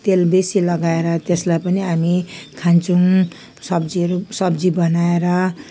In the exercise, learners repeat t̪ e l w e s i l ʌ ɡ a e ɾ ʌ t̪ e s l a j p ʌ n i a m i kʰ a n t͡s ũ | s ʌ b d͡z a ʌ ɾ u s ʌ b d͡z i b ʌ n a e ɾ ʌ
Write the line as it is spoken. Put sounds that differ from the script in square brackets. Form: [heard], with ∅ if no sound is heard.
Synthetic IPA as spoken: t̪ e l [b] e s i l ʌ ɡ a e ɾ ʌ t̪ e s l a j p ʌ n i a m i kʰ a n t͡s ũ | s ʌ b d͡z [i] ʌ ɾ u s ʌ b d͡z i b ʌ n a e ɾ ʌ